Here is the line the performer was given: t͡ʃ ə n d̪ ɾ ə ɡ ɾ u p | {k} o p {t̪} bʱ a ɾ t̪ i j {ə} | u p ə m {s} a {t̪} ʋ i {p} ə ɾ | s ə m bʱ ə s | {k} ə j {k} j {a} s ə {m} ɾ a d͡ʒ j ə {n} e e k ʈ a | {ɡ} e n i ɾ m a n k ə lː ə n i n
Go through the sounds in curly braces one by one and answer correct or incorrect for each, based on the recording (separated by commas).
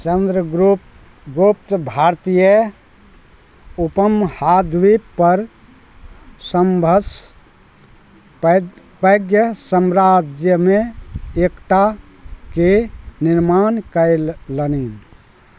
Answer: incorrect, correct, correct, incorrect, incorrect, correct, incorrect, incorrect, incorrect, correct, incorrect, incorrect